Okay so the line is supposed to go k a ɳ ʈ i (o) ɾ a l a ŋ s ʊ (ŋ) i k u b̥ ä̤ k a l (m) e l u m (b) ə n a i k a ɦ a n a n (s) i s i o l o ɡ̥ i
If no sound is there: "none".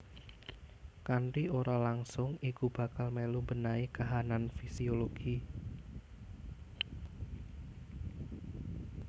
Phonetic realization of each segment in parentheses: o, ŋ, m, b, f

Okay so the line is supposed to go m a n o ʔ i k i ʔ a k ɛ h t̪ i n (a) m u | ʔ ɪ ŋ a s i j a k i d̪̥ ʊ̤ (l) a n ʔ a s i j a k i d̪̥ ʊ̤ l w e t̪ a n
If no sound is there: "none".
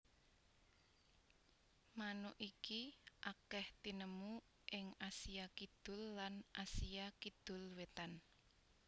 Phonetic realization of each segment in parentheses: ə, lː

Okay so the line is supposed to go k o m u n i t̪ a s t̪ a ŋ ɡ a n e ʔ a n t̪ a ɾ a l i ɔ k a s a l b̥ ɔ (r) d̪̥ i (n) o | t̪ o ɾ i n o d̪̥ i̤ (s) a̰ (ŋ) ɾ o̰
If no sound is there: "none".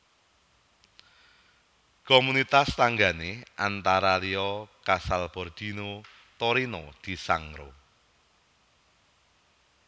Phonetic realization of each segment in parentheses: r, n, s, ŋ

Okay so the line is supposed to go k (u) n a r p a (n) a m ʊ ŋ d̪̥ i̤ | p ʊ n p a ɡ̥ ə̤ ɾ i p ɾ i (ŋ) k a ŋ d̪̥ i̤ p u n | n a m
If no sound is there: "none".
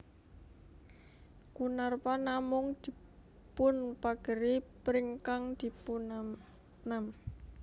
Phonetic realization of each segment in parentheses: u, n, ŋ

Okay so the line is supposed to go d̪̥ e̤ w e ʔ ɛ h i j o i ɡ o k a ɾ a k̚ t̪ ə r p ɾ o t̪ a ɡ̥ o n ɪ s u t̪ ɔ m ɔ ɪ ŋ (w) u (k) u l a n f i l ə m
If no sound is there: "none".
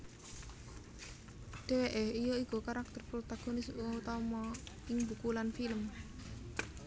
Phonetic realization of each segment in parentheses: b, k

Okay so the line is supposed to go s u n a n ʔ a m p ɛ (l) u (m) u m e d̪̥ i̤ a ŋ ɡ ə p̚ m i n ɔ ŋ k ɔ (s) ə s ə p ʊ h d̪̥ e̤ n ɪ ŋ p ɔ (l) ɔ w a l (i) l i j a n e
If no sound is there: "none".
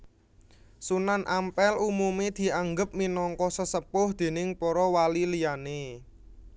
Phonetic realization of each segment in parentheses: l, m, s, ɾ, i

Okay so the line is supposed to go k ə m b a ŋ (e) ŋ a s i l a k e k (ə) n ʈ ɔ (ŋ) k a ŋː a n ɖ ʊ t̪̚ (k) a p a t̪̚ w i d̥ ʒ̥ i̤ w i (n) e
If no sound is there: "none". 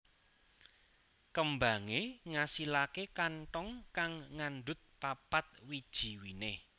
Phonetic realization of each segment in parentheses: e, a, ŋ, p, n

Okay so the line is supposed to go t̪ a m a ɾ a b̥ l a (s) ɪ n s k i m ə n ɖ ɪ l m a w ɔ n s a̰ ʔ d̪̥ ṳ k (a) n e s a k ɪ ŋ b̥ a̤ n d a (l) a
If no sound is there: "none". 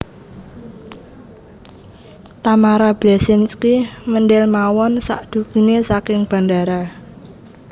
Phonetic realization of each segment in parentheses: s, i, ɾ

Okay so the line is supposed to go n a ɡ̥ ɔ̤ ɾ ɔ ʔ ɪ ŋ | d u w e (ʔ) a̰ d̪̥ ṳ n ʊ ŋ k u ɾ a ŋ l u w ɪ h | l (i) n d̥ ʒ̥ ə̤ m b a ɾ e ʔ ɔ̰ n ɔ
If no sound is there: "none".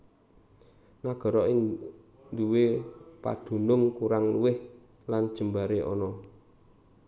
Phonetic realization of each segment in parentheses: p, a

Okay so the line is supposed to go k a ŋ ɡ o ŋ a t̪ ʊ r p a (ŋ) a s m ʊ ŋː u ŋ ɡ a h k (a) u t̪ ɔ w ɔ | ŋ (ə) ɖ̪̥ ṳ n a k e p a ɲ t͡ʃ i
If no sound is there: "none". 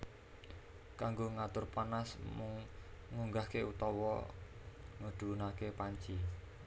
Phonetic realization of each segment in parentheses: n, e, ə

